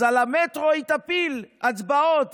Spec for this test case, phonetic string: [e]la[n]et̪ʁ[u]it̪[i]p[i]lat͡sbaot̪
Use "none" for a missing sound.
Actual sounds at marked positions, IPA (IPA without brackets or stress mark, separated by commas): a, m, o, a, i